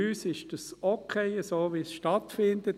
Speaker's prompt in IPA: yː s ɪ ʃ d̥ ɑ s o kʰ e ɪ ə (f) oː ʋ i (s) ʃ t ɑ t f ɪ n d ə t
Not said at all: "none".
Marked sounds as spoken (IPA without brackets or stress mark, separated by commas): s, s